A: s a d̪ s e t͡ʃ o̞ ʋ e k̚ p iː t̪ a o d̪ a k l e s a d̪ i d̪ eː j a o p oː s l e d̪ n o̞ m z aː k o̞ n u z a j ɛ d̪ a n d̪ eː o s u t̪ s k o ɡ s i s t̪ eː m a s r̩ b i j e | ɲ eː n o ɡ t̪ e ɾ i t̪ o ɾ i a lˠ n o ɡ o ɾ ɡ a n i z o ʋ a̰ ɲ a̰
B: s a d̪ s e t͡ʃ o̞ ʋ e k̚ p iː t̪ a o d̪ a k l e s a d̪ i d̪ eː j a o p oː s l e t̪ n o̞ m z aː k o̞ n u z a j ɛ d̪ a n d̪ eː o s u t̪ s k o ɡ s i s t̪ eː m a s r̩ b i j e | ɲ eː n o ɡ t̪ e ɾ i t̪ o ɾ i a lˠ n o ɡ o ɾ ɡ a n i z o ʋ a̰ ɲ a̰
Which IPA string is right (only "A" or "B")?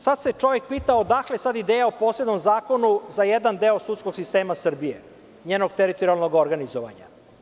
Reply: A